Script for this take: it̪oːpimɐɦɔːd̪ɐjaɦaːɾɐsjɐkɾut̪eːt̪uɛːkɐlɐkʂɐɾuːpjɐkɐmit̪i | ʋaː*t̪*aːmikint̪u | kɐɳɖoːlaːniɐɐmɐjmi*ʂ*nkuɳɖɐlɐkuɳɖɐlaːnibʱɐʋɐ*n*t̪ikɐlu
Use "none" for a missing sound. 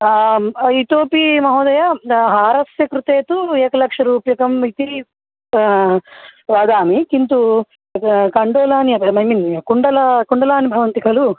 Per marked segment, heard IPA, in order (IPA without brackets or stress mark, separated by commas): d̪, none, n